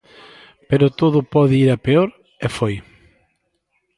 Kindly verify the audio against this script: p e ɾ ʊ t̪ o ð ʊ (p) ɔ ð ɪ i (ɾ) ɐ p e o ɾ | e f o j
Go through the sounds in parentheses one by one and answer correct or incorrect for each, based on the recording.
correct, correct

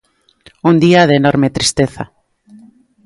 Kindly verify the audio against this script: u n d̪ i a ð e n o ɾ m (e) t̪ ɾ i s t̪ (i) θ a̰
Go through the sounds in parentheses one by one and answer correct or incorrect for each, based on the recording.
correct, incorrect: e

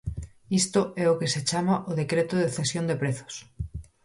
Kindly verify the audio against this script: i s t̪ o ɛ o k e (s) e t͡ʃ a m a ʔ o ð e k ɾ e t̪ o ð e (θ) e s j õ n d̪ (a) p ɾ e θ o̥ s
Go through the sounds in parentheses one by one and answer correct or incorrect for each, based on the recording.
correct, correct, incorrect: e

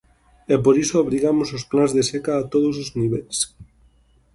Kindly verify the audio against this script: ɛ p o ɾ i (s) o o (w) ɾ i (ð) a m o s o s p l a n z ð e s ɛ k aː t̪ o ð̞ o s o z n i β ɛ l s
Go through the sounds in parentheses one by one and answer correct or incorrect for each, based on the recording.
correct, incorrect: β, incorrect: ɣ

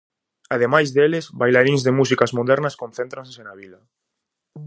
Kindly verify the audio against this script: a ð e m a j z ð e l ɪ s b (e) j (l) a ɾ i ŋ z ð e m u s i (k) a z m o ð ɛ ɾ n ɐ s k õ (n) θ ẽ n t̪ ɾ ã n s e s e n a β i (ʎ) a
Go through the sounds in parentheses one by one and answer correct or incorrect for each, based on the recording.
incorrect: a, correct, correct, correct, incorrect: l

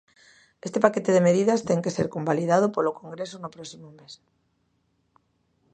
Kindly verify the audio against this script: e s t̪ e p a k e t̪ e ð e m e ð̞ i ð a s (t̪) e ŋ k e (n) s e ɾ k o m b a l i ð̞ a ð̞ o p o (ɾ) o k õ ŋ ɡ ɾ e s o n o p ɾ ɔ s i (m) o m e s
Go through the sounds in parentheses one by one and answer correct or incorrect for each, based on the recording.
correct, incorrect: none, incorrect: l, correct

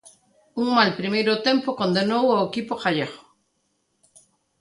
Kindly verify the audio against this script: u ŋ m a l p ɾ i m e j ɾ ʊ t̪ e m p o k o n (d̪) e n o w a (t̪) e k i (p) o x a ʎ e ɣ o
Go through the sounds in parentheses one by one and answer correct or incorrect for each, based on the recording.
correct, incorrect: none, correct

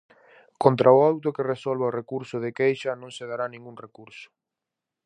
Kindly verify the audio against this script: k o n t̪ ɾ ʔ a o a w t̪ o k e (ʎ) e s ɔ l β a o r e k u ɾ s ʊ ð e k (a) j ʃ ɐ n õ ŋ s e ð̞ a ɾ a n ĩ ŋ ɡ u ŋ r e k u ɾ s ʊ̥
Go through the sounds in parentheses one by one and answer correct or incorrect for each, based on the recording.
incorrect: r, incorrect: e

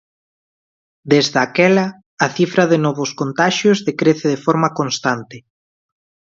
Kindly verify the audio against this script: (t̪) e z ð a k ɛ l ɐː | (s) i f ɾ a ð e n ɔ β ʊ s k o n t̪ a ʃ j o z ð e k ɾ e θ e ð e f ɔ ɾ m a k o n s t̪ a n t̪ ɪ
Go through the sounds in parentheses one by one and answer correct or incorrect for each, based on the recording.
incorrect: d̪, incorrect: θ

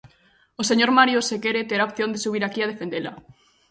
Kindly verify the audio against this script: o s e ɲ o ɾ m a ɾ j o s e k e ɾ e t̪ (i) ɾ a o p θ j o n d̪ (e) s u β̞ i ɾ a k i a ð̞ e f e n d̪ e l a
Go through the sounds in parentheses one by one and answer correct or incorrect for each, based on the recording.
incorrect: e, correct

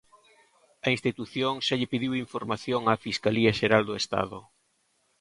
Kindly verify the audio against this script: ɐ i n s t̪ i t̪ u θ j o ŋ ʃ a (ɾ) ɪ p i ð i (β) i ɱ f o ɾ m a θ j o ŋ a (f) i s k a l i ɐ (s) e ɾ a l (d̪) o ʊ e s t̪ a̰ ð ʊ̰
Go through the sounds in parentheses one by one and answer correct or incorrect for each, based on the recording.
incorrect: ʎ, incorrect: w, correct, incorrect: ʃ, correct

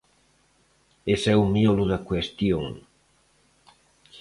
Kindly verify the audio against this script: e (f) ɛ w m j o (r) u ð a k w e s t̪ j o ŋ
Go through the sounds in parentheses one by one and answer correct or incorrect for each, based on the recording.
incorrect: s, incorrect: l

